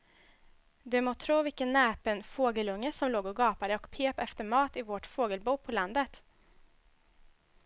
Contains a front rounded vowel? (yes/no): no